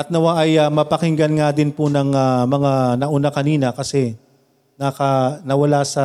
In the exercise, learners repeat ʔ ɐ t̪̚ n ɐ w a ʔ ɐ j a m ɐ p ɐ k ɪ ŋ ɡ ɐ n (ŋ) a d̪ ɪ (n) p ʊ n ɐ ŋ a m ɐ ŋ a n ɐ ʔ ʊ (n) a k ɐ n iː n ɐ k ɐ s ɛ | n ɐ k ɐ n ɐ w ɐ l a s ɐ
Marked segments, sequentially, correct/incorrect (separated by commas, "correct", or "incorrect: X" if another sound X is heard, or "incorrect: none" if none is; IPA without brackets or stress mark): correct, correct, correct